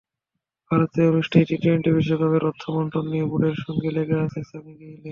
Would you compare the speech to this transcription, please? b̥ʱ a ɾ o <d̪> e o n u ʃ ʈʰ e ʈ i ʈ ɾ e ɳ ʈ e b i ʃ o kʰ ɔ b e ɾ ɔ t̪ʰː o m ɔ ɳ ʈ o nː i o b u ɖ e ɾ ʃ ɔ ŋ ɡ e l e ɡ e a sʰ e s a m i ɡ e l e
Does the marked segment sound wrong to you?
yes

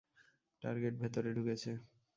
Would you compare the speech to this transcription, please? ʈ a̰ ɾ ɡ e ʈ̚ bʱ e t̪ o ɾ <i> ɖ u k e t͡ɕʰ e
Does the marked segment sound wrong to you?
yes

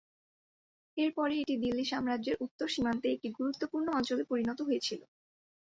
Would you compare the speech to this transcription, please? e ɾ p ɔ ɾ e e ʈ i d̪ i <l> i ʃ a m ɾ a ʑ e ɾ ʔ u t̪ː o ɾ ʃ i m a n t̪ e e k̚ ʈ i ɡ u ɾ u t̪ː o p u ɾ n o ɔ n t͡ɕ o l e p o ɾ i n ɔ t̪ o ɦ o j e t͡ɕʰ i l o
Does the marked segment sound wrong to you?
yes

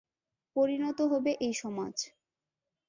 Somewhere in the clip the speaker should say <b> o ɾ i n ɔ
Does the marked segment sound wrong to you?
yes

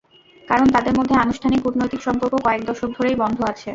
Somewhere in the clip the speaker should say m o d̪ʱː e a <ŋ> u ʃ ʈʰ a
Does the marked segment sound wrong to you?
yes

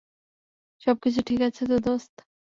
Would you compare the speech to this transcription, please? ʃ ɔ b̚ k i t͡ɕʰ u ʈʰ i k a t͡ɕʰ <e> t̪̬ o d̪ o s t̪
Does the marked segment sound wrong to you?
no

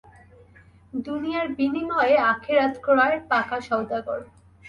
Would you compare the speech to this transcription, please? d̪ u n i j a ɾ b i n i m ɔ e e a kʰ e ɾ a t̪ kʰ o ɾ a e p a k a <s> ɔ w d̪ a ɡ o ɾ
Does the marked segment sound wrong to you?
yes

